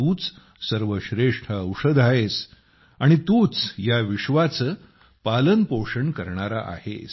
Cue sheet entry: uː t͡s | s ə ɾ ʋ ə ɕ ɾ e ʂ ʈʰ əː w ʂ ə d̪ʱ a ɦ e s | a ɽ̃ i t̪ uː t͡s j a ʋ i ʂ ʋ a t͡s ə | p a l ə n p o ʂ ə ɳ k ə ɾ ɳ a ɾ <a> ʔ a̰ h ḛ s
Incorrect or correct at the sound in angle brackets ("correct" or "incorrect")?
correct